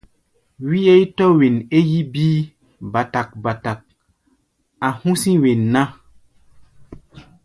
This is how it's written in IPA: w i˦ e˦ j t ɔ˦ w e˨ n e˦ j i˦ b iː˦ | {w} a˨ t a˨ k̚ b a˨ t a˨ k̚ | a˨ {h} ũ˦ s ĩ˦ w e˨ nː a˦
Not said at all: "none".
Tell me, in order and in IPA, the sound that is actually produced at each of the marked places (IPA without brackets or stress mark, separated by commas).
b, h